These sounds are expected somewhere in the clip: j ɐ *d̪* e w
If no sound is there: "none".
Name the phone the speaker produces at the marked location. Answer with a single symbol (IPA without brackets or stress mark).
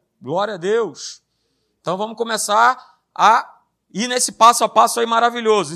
d̪